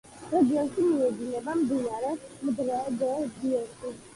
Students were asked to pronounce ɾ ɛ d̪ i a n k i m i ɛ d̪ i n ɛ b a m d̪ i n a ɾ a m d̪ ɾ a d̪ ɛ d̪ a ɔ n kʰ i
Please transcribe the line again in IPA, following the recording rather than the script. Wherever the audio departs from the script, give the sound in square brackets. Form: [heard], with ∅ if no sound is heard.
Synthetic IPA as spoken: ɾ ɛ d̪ i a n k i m i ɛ d̪ i n ɛ b a m d̪ i n a ɾ [ɛ] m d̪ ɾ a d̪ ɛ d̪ [i] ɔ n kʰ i